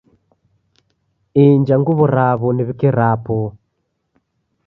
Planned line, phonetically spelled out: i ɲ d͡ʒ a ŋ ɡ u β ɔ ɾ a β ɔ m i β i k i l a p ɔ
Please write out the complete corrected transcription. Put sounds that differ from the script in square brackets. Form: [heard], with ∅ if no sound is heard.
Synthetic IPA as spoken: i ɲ d͡ʒ a ŋ ɡ u β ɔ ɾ a β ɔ [n] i β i k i [ɾ] a p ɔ